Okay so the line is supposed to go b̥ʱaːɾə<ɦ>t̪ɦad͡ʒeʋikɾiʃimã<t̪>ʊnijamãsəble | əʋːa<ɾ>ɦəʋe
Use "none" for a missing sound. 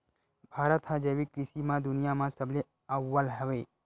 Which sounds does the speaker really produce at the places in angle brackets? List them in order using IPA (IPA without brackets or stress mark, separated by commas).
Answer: none, d̪, l